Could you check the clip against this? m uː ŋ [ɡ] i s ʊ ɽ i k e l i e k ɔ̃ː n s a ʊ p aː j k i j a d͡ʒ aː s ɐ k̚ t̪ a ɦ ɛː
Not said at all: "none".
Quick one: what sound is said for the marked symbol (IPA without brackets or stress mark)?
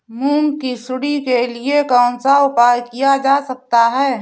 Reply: k